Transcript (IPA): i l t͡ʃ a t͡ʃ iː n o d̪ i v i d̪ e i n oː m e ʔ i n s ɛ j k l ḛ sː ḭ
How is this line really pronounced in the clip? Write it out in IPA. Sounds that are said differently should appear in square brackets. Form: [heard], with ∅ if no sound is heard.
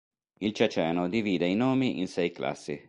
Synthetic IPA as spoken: i l t͡ʃ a t͡ʃ [ɛː] n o d̪ i v [iː] d̪ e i n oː m [i] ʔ i n s ɛ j k l [a̰] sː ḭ